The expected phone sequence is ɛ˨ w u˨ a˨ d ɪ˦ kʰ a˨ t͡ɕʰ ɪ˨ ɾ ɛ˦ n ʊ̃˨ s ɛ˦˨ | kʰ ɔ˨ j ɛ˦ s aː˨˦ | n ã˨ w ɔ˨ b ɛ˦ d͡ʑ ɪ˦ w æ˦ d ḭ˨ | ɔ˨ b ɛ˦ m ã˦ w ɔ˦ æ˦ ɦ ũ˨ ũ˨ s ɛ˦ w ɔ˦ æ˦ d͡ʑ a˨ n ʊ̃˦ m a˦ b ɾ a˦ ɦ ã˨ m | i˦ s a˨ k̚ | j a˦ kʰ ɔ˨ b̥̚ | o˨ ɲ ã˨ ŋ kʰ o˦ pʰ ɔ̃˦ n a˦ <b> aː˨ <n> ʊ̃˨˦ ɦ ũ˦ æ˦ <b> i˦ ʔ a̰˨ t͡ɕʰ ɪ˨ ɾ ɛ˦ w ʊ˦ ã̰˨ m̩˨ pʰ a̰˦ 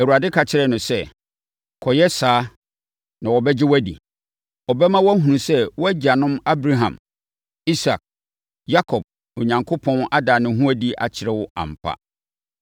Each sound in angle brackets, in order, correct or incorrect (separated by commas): incorrect, correct, incorrect